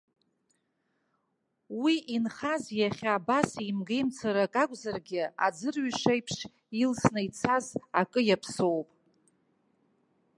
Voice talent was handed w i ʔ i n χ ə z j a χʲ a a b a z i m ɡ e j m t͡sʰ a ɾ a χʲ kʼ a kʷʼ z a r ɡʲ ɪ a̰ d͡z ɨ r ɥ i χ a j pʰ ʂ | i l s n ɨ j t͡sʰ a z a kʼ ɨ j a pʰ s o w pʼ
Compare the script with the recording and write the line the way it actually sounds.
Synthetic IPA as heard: w i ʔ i n χ a z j a χʲ a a b a s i m ɡ e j m t͡sʰ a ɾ a kʼ a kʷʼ z a r ɡʲ ɪ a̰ d͡z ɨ r ɥ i ʂ a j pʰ ʂ | i l s n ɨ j t͡sʰ a z a kʼ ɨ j a pʰ s o w pʼ